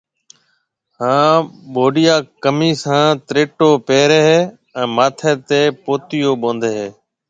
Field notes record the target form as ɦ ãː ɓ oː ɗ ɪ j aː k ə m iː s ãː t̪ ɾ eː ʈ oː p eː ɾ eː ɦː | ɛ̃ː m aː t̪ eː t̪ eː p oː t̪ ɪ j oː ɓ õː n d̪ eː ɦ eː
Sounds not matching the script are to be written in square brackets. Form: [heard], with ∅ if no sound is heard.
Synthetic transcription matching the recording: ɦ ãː ɓ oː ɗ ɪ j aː k ə m iː s ãː t̪ ɾ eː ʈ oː p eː ɾ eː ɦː | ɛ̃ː m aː [t̪ʰ] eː t̪ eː p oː t̪ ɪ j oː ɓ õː n d̪ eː ɦ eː